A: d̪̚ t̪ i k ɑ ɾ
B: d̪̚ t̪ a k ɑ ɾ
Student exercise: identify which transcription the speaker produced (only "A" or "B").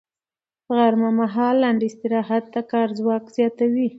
B